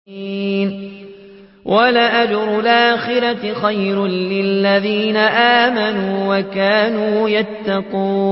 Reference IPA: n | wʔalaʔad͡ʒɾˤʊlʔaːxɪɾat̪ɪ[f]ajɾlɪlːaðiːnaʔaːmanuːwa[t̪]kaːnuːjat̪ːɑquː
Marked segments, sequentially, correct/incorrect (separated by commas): incorrect, incorrect